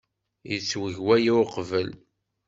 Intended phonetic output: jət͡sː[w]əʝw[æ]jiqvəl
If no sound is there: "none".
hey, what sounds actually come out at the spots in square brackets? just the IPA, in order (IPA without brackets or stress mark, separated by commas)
w, æ